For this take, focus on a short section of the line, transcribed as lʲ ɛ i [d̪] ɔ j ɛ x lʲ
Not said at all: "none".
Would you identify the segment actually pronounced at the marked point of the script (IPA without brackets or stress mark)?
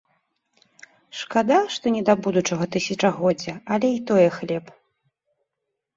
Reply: t̪